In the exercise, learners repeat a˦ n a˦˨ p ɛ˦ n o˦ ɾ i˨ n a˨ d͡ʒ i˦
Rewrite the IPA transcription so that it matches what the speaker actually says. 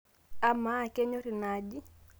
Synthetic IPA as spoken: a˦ m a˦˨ k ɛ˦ ɲ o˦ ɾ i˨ n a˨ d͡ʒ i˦